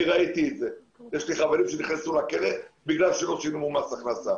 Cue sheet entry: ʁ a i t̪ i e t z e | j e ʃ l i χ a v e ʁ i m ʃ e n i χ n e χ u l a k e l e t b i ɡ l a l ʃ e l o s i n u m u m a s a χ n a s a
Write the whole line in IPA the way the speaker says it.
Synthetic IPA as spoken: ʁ a i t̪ i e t z e | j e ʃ l i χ a v e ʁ i m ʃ e n i χ n e s u l a k e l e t b i ɡ l a l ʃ e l o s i n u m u m a s a χ n a s a